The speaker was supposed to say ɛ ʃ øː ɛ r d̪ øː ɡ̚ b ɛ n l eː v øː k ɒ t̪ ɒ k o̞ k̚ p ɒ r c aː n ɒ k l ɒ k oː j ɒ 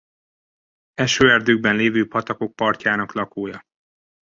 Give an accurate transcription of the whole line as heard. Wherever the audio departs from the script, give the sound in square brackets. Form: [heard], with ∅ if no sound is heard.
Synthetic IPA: ɛ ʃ øː ɛ r d̪ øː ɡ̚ b ɛ n l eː v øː [p] ɒ t̪ ɒ k o̞ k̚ p ɒ r c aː n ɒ k l ɒ k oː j ɒ